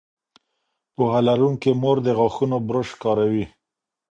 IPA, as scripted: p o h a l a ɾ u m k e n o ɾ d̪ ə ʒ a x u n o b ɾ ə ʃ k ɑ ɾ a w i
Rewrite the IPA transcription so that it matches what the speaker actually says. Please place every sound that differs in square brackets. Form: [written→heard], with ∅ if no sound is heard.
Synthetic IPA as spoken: p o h a l a ɾ u [m→ŋ] k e [n→m] o ɾ d̪ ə [ʒ→ɣ] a x u n o b ɾ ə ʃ k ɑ ɾ a w i